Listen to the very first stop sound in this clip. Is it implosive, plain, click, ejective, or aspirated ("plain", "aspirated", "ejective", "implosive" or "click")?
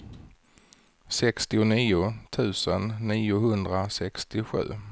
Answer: plain